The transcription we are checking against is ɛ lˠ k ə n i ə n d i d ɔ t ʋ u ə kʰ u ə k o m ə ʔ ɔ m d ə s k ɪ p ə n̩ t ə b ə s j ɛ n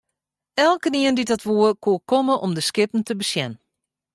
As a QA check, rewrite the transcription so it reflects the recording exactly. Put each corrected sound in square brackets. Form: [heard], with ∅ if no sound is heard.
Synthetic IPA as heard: ɛ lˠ k ə n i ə n d i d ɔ t ʋ u ə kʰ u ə k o m ə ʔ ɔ m d ə s k ɪ p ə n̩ t ə b ə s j ɛ n